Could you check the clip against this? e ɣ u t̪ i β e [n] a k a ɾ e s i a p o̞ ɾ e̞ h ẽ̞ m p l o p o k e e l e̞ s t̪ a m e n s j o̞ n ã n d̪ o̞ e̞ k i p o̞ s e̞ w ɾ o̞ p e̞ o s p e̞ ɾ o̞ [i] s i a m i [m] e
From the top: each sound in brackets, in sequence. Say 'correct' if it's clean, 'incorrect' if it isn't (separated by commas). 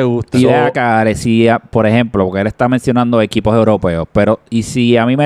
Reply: incorrect, correct, correct